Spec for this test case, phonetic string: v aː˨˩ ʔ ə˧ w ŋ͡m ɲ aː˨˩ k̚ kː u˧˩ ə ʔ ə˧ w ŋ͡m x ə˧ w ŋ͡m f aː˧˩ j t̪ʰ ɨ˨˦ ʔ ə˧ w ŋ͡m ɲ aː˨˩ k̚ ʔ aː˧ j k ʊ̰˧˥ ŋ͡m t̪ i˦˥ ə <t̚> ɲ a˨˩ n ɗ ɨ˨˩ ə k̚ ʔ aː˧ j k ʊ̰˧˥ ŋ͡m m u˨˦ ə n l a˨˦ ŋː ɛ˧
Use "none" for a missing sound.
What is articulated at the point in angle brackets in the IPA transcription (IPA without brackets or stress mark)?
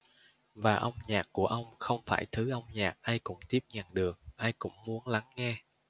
p̚